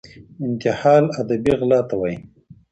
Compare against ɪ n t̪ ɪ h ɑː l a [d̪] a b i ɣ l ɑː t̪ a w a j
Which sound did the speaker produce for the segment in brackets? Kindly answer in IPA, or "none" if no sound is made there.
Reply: d̪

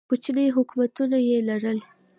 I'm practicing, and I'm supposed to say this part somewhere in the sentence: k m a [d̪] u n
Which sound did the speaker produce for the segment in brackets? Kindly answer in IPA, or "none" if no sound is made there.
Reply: t̪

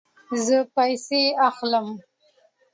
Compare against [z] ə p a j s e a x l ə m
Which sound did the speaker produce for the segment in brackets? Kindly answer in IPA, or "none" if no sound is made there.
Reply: z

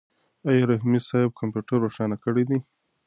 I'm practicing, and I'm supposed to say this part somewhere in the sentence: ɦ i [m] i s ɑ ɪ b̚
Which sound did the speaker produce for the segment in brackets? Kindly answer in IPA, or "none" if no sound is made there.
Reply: m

